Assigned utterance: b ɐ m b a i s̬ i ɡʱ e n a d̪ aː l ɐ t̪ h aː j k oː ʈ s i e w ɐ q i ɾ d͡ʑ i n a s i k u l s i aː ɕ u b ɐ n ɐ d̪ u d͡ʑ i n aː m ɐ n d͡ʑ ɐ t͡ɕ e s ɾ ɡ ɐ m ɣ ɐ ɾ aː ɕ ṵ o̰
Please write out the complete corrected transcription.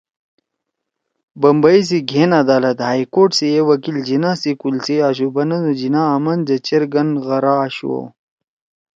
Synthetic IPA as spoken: b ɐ m b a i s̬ i ɡʱ e n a d̪ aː l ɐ t̪ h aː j k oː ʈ s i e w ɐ k i l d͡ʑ i n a s i k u l s i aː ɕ u b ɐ n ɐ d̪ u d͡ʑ i n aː m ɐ n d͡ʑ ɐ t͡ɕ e ɾ ɡ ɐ n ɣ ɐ ɾ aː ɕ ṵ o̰